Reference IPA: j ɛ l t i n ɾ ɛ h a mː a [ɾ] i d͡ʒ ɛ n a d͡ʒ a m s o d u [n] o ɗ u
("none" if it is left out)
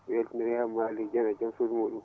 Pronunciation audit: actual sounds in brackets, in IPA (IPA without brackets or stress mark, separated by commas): l, m